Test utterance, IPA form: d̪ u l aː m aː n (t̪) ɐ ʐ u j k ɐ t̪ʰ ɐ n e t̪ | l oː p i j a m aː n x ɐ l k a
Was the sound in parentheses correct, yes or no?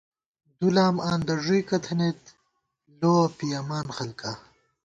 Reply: no